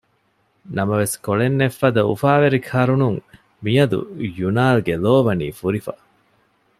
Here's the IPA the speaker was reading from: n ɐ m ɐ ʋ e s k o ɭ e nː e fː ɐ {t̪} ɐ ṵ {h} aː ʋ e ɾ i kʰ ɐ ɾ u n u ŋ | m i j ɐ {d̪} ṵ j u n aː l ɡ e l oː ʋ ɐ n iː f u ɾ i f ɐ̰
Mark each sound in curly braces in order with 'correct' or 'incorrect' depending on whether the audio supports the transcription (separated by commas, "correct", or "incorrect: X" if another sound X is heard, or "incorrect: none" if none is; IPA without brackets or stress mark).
incorrect: d̪, incorrect: f, correct